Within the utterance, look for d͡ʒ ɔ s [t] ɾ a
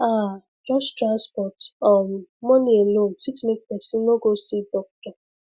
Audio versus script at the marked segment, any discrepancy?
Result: no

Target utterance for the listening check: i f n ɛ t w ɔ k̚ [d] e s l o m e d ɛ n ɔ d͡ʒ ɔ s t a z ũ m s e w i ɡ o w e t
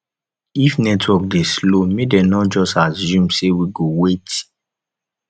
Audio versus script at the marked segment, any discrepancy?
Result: no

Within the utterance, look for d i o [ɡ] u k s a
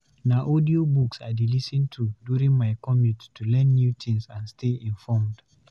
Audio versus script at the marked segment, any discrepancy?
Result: yes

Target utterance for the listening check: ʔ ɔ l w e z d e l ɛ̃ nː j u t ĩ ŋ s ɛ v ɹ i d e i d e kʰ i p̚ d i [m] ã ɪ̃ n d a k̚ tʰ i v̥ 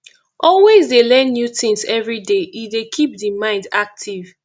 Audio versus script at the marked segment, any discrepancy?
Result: no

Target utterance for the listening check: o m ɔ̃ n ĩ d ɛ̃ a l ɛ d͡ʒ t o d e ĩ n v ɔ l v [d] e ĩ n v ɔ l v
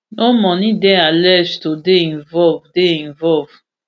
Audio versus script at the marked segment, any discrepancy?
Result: no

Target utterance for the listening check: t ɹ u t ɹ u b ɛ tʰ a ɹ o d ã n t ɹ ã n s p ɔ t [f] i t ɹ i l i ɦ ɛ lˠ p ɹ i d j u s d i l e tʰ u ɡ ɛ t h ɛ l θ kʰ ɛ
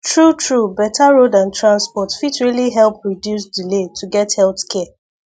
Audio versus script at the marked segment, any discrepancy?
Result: no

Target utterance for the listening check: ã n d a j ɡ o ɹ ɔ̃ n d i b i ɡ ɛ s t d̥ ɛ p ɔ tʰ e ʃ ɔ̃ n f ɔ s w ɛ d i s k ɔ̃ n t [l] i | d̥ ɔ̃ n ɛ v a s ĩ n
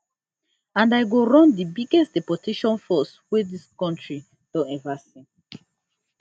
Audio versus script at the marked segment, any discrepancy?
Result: yes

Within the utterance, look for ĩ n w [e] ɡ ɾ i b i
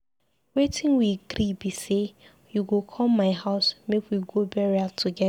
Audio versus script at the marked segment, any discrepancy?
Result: yes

